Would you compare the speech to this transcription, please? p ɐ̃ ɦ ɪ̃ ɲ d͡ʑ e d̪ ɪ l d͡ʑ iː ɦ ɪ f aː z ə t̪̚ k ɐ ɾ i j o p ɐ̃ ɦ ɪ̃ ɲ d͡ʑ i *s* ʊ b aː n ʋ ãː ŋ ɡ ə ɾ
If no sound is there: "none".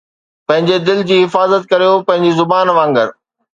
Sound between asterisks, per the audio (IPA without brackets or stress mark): z